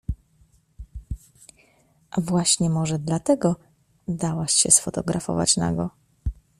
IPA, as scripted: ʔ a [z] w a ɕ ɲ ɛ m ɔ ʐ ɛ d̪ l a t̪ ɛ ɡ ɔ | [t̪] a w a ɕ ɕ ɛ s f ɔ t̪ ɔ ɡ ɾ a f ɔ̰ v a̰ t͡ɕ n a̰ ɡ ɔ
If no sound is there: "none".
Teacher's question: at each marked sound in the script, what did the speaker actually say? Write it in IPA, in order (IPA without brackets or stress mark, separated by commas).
v, d̪